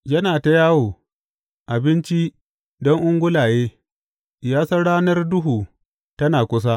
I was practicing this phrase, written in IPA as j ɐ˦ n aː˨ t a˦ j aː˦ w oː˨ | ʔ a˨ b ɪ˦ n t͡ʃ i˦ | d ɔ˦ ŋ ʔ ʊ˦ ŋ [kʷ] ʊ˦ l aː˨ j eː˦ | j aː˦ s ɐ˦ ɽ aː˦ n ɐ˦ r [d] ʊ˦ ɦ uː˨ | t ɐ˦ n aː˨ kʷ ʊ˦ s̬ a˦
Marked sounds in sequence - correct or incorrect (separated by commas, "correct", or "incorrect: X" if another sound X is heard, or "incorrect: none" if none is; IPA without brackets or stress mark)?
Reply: incorrect: ɡʷ, correct